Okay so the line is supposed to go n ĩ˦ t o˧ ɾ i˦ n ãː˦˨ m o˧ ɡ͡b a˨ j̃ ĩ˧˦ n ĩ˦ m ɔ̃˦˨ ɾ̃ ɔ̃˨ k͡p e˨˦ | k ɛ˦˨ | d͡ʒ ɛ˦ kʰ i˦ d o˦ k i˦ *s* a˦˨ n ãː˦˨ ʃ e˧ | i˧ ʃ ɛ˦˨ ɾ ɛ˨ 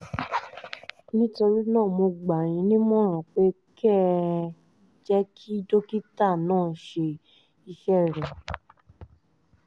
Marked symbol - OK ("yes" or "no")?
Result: no